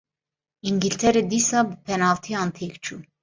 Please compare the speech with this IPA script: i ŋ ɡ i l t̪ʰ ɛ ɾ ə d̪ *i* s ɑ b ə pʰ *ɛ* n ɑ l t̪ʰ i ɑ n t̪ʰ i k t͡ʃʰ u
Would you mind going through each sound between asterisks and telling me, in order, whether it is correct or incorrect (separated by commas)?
correct, correct